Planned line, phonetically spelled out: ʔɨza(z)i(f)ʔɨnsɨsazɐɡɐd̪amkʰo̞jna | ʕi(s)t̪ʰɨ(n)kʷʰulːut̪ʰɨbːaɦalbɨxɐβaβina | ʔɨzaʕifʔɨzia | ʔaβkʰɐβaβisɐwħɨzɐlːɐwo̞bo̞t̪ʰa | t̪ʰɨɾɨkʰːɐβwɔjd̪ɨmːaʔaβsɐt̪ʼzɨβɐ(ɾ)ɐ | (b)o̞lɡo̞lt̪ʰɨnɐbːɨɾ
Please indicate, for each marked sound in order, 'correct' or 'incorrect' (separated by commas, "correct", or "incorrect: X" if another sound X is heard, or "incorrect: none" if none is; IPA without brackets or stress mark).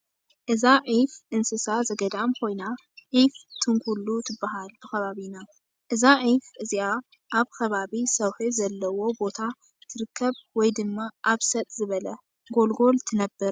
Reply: incorrect: ʕ, correct, incorrect: f, incorrect: ŋ, incorrect: l, incorrect: ɡ